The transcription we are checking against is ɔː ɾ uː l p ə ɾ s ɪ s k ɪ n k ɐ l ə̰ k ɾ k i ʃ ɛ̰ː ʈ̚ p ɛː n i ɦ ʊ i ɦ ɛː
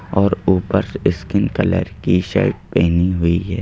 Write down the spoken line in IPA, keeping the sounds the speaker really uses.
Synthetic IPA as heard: ɔː ɾ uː p ə ɾ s ɪ s k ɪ n k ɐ l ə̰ ɾ k i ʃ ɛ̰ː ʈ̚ p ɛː n i ɦ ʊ i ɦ ɛː